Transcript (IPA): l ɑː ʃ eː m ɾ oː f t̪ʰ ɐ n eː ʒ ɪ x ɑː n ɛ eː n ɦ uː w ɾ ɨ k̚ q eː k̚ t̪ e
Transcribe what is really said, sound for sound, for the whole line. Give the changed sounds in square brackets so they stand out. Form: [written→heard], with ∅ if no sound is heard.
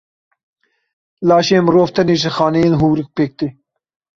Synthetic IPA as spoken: l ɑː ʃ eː m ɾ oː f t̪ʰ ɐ n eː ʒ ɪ x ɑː n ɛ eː n ɦ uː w ɾ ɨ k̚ [q→p] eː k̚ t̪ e